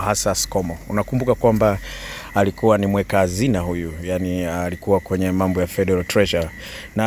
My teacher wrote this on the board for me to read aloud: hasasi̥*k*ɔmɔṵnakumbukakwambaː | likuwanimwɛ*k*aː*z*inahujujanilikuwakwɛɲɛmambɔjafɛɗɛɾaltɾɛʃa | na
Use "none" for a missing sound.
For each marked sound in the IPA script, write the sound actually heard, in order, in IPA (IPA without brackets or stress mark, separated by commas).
k, k, z